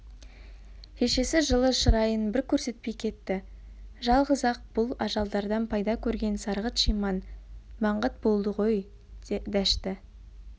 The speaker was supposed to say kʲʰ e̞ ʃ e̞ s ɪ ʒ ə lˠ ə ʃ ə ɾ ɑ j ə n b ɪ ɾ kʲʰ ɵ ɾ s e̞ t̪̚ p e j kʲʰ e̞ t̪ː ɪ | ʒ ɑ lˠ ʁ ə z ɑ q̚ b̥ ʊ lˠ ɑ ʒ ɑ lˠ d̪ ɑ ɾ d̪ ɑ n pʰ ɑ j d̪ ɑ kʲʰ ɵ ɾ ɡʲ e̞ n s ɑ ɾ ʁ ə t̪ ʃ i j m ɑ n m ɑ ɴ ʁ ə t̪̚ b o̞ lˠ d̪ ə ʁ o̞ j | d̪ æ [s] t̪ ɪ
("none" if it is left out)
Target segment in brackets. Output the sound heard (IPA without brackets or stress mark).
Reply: ʃ